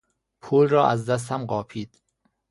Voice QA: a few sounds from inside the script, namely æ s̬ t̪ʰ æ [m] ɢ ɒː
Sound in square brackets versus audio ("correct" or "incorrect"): correct